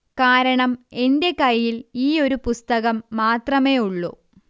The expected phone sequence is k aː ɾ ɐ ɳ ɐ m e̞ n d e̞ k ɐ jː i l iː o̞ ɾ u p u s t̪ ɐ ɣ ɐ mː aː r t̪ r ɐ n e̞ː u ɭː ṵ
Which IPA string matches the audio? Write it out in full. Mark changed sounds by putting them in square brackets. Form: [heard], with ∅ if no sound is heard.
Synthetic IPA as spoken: k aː ɾ ɐ ɳ ɐ m e̞ n d e̞ k ɐ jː i l iː o̞ ɾ u p u s t̪ ɐ ɣ ɐ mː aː [∅] t̪ r ɐ [m] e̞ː u ɭː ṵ